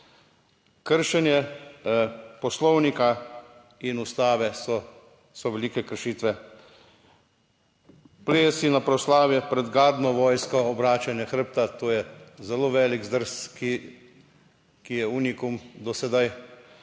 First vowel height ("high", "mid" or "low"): mid